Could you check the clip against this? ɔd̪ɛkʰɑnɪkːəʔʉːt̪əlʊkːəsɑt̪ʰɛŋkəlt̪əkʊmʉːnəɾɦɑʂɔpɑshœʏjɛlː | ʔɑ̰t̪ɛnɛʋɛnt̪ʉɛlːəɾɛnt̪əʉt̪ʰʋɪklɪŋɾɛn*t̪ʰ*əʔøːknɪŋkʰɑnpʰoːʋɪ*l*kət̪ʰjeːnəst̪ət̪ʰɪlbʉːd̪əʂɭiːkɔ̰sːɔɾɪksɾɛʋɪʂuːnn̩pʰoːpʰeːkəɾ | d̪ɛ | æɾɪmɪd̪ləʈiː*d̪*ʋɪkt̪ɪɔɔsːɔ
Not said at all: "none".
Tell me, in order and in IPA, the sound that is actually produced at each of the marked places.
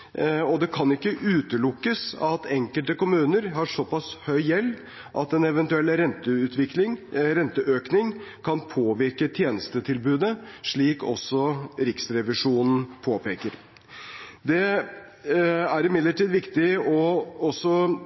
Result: t̪, ɾ, d̪

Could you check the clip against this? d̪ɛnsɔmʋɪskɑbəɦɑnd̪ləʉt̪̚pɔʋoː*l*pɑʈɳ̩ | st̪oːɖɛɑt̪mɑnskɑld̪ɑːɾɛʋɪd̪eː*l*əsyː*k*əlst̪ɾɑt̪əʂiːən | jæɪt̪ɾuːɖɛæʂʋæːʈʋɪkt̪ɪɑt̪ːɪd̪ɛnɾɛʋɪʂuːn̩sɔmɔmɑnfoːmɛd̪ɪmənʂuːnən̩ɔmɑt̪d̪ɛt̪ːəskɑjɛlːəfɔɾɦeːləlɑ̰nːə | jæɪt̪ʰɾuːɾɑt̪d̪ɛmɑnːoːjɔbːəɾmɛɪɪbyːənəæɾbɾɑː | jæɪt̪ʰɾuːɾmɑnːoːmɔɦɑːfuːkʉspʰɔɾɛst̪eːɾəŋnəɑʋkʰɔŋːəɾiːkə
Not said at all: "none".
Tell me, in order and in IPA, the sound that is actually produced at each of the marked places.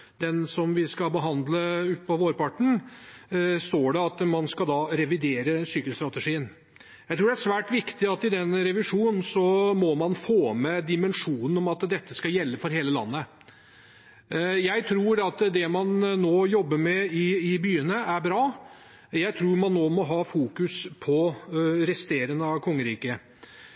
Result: ɾ, ɾ, k

